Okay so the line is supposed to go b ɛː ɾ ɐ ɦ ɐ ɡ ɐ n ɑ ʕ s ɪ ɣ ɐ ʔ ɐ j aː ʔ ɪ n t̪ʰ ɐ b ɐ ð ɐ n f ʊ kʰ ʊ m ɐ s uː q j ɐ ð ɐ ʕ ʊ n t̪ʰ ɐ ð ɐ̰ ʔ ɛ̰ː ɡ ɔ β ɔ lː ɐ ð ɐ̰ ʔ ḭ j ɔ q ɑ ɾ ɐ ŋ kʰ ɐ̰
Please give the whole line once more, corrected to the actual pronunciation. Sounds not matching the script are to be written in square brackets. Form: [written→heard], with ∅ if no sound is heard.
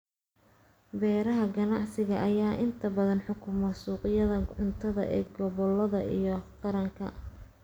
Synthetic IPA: b ɛː ɾ ɐ ɦ ɐ ɡ ɐ n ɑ ʕ s ɪ ɣ ɐ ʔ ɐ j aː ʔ ɪ n t̪ʰ ɐ b ɐ ð ɐ n [f→ħ] ʊ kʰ ʊ m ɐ s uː q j ɐ ð ɐ ʕ ʊ n t̪ʰ ɐ ð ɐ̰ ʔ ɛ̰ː ɡ ɔ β ɔ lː ɐ ð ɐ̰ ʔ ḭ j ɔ q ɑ ɾ ɐ ŋ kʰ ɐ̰